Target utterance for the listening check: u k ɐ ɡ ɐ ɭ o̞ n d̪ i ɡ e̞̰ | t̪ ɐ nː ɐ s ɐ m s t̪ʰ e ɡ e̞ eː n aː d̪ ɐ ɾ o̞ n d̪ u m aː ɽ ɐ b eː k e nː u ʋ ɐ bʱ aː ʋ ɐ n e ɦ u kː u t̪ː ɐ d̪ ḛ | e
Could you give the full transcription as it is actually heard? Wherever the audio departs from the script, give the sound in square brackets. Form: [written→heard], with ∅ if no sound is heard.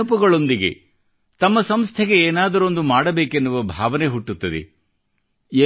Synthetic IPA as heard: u [k→p] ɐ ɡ ɐ ɭ o̞ n d̪ i ɡ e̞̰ | t̪ ɐ [nː→mː] ɐ s ɐ m s t̪ʰ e ɡ e̞ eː n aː d̪ ɐ ɾ o̞ n d̪ u m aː ɽ ɐ b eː k e nː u ʋ ɐ bʱ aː ʋ ɐ n e ɦ u [kː→ʈː] u t̪ː ɐ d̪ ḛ | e